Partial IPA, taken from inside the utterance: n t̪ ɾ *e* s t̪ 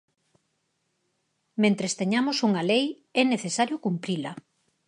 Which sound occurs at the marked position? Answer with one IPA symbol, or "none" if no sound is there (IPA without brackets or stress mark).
e